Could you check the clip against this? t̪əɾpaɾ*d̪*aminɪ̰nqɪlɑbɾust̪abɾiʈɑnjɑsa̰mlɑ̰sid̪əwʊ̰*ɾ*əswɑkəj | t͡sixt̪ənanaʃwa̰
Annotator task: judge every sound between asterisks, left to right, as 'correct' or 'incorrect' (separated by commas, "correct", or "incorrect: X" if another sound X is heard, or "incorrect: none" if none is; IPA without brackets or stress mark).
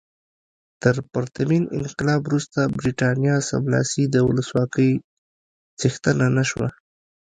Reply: incorrect: t̪, incorrect: l